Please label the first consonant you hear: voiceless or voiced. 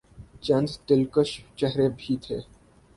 voiceless